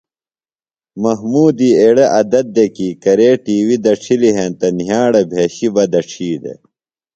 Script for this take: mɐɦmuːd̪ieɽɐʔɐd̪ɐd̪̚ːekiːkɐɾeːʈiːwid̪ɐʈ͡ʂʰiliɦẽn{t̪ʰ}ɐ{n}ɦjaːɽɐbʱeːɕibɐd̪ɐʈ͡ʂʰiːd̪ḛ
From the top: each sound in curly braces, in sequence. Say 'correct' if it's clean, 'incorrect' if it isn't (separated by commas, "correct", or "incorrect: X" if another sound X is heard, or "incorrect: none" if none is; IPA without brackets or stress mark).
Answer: incorrect: t̪, correct